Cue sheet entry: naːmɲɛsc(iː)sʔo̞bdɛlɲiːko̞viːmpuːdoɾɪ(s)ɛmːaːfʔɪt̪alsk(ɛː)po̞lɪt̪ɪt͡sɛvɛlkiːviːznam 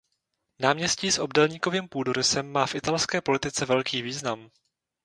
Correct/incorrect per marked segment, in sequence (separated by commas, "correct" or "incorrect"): correct, correct, correct